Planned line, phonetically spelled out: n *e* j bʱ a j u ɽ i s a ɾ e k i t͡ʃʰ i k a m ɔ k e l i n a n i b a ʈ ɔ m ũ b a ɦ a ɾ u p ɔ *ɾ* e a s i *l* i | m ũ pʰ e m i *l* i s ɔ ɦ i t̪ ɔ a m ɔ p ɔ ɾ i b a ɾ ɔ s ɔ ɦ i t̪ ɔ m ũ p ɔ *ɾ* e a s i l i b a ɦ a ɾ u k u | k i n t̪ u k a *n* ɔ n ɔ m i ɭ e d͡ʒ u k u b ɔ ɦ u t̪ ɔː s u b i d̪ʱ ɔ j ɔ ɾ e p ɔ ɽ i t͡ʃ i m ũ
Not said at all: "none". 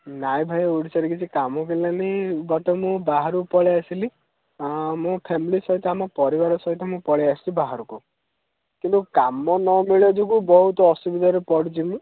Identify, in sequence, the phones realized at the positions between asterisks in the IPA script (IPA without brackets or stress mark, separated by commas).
a, ɭ, l, l, ɭ, m